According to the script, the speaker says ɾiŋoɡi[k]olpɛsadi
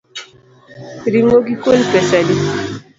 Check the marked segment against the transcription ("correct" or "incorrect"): correct